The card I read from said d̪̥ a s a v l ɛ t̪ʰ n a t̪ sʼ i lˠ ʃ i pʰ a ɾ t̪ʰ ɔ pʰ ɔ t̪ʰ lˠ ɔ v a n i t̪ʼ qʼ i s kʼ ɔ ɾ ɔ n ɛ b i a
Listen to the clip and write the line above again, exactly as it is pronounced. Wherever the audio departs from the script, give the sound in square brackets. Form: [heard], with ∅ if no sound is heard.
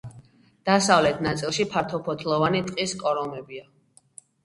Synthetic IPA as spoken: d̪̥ a s a v l ɛ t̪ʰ n a t̪ sʼ i lˠ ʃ i pʰ a ɾ t̪ʰ ɔ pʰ ɔ t̪ʰ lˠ ɔ v a n i t̪ʼ qʼ i s kʼ ɔ ɾ ɔ [m] ɛ b i a